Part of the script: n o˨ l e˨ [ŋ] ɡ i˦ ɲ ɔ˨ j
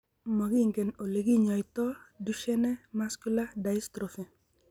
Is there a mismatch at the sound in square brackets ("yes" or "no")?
yes